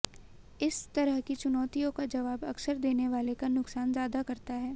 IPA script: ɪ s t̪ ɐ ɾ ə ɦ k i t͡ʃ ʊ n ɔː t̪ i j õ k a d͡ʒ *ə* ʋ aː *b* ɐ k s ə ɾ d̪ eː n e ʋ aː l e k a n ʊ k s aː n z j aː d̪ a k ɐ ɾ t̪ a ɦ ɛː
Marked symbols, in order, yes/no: no, yes

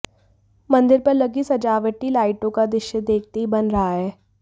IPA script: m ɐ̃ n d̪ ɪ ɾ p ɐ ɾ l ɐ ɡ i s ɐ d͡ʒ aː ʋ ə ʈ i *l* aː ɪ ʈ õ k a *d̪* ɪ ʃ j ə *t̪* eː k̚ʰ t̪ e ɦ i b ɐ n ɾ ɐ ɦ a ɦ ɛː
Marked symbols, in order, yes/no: yes, yes, no

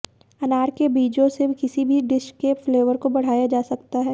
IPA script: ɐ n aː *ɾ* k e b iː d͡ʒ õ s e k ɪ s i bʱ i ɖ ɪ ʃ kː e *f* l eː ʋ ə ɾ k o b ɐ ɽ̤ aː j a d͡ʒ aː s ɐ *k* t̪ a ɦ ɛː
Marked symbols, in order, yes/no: yes, yes, yes

